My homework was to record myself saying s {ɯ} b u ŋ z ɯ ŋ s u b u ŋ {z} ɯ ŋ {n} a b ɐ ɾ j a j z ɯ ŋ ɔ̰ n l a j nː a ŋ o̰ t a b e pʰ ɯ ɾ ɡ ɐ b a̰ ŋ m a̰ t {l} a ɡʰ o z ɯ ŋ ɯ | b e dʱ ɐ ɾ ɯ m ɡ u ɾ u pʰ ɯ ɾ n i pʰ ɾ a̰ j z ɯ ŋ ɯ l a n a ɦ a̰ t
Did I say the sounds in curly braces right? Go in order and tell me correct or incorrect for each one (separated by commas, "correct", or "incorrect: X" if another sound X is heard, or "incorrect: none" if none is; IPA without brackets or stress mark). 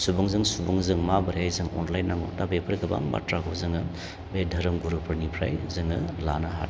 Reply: incorrect: u, correct, incorrect: m, incorrect: ɾ